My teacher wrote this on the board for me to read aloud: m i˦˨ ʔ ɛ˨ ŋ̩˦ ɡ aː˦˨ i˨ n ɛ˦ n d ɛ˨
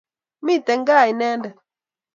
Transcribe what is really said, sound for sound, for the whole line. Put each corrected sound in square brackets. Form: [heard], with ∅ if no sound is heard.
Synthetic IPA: m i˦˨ [t] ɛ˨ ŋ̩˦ ɡ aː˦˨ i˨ n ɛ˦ n d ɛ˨